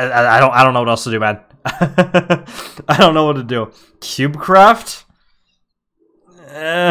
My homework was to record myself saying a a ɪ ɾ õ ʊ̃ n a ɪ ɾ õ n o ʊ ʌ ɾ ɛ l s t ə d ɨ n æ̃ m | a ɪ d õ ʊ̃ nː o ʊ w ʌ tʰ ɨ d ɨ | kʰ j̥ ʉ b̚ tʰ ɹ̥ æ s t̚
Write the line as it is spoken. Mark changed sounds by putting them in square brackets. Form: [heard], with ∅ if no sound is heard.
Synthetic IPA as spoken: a a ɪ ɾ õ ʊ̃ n a ɪ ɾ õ n o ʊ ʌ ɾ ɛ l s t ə d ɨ [m] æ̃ [n] | a ɪ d õ ʊ̃ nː o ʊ w ʌ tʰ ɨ d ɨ | kʰ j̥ ʉ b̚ [kʰ] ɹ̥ æ [f] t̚